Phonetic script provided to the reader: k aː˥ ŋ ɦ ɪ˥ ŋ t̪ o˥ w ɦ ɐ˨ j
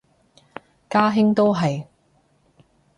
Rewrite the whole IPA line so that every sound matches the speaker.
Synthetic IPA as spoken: k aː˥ ɦ ɪ˥ ŋ t̪ o˥ w ɦ ɐ˨ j

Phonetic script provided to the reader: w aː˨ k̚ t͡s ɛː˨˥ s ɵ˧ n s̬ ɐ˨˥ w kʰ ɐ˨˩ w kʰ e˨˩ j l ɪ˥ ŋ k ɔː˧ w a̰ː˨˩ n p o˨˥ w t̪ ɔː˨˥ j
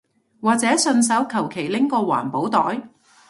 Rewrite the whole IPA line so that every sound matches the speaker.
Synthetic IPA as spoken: w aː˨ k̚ t͡s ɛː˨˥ s ɵ˧ n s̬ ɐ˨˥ w kʰ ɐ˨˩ w kʰ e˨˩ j l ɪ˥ ŋ k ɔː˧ w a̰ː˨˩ n p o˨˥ w t̪ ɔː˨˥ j

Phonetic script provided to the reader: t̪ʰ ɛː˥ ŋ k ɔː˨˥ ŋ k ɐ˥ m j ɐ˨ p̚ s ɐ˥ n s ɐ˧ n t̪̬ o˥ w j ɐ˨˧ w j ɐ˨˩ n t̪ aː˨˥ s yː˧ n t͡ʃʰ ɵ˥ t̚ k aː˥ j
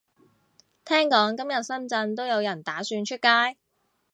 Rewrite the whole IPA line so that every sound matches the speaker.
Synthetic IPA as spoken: t̪ʰ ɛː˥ ŋ k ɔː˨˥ ŋ k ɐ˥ m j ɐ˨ t̚ s ɐ˥ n t͡s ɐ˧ n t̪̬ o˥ w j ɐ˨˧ w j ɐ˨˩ n t̪ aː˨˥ s yː˧ n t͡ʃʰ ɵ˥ t̚ k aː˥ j

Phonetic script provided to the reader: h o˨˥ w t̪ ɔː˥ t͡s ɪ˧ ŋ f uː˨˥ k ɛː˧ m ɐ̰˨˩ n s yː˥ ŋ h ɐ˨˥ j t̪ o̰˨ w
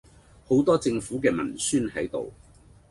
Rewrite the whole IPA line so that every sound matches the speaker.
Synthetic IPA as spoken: h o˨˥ w t̪ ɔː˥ t͡s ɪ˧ ŋ f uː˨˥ k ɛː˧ m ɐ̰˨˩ n s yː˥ n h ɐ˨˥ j t̪ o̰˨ w

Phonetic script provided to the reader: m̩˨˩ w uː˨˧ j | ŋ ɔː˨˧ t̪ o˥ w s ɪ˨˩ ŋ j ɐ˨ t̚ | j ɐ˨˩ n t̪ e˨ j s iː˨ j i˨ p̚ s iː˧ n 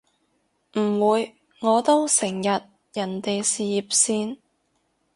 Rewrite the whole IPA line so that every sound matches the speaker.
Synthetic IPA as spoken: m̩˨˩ w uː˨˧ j | ŋ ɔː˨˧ t̪ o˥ w s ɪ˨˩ ŋ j ɐ˨ t̚ | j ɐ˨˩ n t̪ e˨ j s iː˨ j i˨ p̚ s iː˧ n

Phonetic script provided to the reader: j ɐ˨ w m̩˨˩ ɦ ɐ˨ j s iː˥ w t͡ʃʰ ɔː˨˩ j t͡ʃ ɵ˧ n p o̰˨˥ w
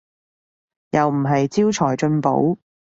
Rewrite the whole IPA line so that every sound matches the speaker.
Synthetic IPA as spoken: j ɐ˨ w m̩˨˩ ɦ ɐ˨ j t͡s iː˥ w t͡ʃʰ ɔː˨˩ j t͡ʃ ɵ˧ n p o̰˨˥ w

